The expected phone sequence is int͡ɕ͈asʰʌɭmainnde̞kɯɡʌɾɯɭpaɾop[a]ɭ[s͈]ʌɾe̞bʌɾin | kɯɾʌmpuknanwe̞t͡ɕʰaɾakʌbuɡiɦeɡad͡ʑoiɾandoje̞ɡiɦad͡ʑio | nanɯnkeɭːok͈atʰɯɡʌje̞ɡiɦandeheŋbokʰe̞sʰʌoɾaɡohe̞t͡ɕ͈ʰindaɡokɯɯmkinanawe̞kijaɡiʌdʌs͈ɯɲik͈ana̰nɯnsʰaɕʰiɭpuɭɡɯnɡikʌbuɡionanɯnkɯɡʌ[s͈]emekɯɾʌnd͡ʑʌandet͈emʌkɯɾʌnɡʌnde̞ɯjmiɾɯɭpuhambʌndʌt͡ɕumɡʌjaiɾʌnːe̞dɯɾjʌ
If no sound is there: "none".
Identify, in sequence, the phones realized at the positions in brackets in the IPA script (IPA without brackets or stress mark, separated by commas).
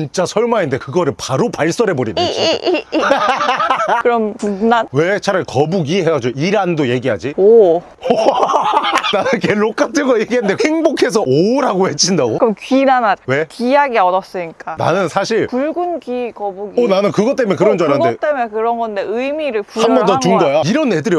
a, s͈, t͈